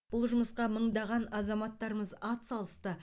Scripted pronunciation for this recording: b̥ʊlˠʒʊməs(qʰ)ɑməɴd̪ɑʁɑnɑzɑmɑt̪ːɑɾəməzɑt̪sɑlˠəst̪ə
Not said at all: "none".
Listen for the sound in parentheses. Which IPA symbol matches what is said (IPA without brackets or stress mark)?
q